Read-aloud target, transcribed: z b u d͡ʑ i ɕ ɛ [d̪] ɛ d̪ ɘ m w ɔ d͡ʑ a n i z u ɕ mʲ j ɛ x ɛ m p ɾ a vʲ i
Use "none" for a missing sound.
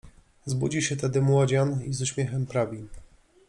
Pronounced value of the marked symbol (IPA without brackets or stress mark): t̪